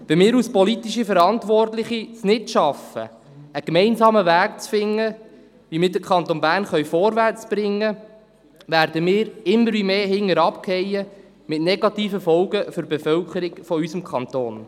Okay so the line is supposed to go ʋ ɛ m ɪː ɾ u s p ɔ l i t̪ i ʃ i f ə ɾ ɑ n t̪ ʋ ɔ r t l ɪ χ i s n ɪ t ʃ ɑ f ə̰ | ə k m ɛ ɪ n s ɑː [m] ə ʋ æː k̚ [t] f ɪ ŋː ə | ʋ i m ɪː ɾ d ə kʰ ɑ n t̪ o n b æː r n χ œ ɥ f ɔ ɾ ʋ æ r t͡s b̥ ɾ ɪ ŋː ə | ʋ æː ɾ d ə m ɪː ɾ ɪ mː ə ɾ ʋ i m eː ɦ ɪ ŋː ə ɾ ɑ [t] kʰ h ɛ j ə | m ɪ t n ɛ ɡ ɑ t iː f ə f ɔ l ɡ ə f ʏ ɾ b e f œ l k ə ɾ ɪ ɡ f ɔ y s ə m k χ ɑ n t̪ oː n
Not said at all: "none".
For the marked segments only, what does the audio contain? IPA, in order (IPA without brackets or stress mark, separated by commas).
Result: m, t͡s, p